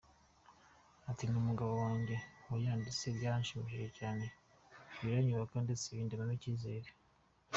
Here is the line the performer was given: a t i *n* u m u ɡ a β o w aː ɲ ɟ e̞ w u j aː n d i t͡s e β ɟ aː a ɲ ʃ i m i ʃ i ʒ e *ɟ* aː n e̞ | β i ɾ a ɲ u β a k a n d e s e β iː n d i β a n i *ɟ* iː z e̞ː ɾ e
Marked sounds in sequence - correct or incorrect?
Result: correct, incorrect: c, incorrect: c

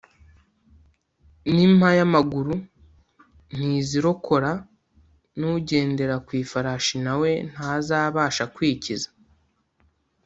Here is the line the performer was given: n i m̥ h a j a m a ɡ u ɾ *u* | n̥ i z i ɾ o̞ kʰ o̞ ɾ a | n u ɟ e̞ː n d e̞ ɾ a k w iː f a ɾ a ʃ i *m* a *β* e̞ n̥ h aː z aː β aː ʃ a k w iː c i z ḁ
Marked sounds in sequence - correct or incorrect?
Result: correct, incorrect: n, incorrect: w

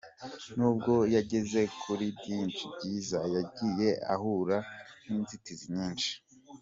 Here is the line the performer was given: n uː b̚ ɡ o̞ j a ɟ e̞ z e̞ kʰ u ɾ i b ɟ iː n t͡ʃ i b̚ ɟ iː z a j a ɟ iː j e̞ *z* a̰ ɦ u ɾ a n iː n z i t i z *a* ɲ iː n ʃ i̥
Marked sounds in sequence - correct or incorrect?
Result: incorrect: none, incorrect: i

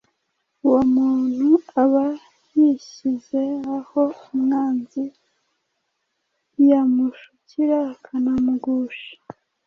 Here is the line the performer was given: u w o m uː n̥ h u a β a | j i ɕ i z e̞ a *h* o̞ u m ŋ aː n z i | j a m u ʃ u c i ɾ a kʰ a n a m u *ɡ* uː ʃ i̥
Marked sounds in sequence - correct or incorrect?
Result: correct, correct

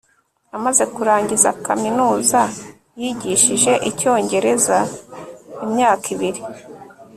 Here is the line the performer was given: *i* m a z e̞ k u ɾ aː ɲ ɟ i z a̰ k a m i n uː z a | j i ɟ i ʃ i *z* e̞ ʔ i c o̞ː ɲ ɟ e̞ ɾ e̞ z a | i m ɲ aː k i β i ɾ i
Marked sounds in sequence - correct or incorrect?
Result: incorrect: a, incorrect: ʒ

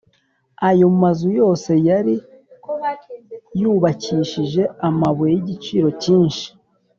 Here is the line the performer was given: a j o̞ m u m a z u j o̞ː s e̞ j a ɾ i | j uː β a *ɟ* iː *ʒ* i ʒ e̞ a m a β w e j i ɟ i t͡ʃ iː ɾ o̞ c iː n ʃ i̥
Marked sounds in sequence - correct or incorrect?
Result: incorrect: c, incorrect: ʃ

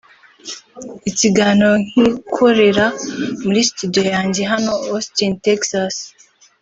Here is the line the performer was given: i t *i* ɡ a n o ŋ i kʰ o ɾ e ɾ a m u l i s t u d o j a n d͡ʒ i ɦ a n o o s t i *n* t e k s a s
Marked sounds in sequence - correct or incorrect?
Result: correct, correct

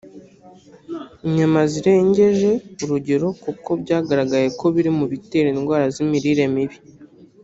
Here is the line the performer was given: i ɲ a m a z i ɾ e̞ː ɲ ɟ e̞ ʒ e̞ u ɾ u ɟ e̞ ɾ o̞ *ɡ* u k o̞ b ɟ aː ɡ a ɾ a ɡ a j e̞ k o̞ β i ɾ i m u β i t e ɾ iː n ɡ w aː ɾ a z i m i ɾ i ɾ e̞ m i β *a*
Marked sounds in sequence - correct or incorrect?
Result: incorrect: k, incorrect: i

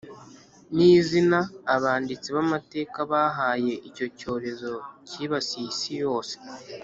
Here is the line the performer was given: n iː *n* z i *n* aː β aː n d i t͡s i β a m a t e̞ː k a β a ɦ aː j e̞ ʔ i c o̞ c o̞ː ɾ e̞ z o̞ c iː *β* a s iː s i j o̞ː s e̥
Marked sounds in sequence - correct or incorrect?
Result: incorrect: none, correct, correct

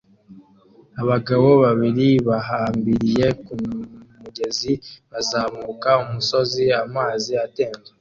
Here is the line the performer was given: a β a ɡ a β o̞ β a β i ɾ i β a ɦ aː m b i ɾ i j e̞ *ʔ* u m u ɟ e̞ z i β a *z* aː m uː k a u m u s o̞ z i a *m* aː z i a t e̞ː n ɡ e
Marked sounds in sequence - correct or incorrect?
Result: incorrect: k, correct, correct

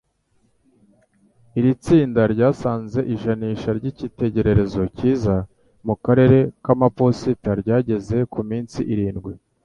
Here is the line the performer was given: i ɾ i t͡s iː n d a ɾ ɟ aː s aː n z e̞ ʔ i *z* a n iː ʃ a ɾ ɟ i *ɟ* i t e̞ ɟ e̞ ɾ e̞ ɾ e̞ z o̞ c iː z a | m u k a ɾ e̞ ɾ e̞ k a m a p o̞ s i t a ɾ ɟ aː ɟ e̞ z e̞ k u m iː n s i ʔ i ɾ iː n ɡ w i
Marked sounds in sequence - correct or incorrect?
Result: incorrect: ʒ, incorrect: c

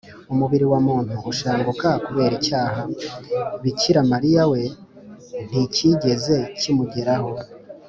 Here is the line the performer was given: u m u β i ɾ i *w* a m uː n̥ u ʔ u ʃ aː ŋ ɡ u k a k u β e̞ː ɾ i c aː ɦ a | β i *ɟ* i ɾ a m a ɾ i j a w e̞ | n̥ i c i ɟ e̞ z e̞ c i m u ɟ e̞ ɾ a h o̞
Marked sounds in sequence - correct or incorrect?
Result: correct, incorrect: c

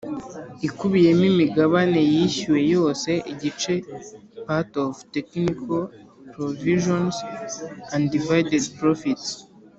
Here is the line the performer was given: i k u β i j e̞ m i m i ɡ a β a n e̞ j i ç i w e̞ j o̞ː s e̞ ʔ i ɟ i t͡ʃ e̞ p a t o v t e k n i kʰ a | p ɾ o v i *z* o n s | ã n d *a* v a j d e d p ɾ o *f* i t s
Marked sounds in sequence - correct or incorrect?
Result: incorrect: ʒ, incorrect: i, correct

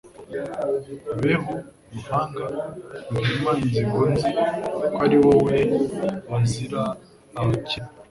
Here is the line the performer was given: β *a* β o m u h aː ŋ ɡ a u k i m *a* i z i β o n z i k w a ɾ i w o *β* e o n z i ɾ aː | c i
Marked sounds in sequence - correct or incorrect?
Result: incorrect: e, correct, incorrect: w

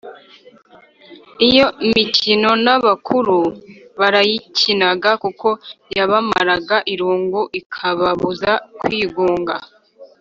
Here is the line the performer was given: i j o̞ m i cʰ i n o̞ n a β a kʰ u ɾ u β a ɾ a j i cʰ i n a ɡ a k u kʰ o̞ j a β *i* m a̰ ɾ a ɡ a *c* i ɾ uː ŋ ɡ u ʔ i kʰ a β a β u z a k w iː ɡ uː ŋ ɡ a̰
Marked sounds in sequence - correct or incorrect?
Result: incorrect: a, incorrect: ʔ

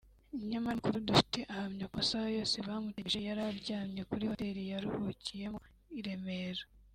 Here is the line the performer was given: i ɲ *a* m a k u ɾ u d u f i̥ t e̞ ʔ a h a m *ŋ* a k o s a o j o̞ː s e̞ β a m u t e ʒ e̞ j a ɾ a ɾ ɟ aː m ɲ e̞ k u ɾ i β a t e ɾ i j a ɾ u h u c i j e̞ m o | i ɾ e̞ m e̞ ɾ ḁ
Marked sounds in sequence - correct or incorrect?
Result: correct, incorrect: ɲ

